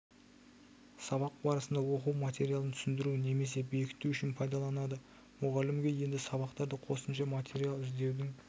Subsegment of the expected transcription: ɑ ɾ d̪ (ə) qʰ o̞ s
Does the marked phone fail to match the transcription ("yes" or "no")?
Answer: no